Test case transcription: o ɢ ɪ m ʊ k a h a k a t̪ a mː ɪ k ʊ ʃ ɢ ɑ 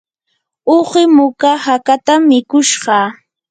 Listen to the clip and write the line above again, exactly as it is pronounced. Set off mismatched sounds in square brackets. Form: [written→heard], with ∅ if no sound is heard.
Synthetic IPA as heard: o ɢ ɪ m ʊ k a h a k a t̪ a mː ɪ k ʊ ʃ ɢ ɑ